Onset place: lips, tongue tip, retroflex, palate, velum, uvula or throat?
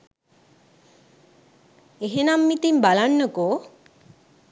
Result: throat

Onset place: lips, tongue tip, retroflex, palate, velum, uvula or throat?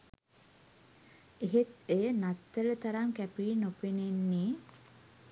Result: throat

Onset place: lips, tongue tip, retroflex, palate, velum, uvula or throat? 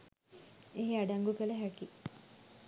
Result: throat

